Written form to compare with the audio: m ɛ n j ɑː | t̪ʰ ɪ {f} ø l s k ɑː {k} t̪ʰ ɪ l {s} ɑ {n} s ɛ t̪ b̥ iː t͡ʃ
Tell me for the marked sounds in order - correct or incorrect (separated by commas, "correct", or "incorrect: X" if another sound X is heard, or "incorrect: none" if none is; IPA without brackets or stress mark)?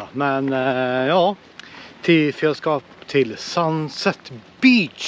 correct, incorrect: p, correct, correct